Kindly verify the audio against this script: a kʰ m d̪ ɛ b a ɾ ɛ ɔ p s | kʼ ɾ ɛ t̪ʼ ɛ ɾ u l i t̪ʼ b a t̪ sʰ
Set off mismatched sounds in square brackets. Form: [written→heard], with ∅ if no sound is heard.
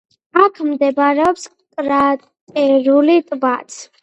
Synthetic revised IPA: a kʰ m d̪ ɛ b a ɾ ɛ ɔ p s | kʼ ɾ [ɛ→a] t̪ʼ ɛ ɾ u l i t̪ʼ b a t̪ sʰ